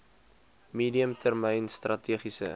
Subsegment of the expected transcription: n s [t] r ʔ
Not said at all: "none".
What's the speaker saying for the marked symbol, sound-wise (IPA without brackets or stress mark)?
t